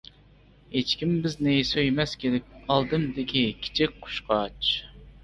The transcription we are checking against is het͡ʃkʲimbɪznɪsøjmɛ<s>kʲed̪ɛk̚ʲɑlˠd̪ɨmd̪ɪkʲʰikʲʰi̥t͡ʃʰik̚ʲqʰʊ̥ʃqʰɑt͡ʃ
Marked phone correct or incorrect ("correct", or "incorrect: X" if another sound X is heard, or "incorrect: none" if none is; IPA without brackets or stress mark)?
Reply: correct